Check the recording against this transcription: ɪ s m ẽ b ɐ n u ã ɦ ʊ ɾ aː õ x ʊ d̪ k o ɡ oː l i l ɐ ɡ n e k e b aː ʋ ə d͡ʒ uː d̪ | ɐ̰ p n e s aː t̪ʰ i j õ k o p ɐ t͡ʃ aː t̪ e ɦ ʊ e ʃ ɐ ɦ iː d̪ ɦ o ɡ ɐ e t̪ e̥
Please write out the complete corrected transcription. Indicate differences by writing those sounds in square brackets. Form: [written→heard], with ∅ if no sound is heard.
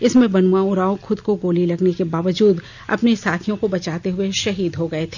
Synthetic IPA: ɪ s m ẽ b ɐ n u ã [ɦ→∅] ʊ ɾ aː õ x ʊ d̪ k o ɡ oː l i l ɐ ɡ n e k e b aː ʋ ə d͡ʒ uː d̪ | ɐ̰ p n e s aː t̪ʰ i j õ k o [p→b] ɐ t͡ʃ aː t̪ e ɦ ʊ e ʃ ɐ ɦ iː d̪ ɦ o ɡ ɐ e [t̪→t̪ʰ] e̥